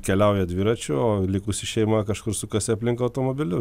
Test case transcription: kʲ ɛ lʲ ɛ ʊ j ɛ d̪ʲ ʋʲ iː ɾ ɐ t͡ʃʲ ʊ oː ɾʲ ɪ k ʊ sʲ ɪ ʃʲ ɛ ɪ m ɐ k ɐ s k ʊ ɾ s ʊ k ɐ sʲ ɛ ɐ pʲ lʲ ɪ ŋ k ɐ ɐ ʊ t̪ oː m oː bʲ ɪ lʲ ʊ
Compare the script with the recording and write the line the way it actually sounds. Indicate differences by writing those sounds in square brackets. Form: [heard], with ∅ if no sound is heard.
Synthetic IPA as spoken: kʲ ɛ lʲ ɛ ʊ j ɛ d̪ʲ ʋʲ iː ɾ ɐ t͡ʃʲ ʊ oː [lʲ] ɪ k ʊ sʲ ɪ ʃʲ ɛ ɪ m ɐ k ɐ [ʃ] k ʊ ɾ s ʊ k ɐ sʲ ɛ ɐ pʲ lʲ ɪ ŋ k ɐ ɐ ʊ t̪ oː m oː bʲ ɪ lʲ ʊ